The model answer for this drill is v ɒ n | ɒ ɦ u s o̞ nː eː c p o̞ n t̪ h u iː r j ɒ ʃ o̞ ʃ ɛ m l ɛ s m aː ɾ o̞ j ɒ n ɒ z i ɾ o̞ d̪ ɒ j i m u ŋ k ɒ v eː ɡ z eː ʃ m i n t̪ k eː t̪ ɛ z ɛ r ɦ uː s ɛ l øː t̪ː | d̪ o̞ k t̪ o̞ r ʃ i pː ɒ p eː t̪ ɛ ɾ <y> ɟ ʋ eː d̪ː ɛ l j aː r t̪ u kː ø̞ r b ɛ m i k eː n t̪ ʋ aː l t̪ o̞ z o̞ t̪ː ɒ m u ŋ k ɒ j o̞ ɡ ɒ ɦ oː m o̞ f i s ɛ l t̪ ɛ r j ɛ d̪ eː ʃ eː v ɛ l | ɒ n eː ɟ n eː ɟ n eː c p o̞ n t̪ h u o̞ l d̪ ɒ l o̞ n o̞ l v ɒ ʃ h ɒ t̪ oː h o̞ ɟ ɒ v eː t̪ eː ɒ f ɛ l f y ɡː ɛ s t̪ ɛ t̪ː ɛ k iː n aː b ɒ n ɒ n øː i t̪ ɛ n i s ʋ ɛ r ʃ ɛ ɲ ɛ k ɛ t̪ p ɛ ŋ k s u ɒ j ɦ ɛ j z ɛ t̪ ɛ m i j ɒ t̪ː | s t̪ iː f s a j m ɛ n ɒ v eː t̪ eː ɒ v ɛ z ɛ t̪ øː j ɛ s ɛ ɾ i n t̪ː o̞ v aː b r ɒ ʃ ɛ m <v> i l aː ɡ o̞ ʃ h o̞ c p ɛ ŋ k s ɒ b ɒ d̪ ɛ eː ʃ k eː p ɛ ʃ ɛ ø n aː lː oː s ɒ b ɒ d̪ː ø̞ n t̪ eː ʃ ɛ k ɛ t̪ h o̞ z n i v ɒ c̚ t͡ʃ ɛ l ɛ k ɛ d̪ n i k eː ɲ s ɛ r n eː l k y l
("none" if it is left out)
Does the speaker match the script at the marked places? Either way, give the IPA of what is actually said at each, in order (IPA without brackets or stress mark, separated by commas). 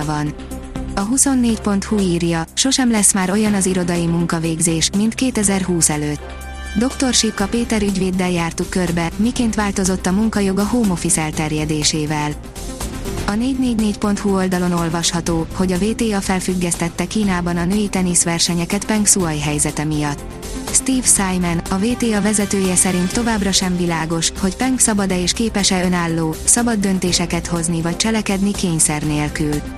y, v